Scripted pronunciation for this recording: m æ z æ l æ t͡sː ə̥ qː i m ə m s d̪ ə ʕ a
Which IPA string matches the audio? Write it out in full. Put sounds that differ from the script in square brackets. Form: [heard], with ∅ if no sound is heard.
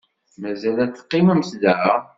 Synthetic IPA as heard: m æ z æ l æ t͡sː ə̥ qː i m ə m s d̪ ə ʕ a